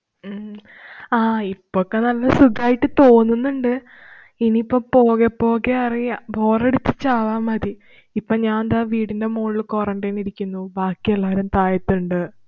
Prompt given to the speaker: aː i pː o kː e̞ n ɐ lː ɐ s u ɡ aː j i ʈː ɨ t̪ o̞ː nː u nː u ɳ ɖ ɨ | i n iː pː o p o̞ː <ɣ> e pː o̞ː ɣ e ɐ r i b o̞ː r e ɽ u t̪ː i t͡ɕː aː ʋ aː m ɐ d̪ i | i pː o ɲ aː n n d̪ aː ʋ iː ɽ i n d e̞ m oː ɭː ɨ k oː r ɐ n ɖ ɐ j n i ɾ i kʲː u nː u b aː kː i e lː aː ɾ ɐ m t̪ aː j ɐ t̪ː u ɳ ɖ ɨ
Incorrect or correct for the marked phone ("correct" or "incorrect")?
correct